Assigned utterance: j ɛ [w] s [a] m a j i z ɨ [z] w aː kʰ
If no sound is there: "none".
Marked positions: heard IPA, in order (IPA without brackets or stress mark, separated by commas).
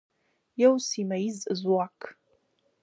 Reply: w, i, z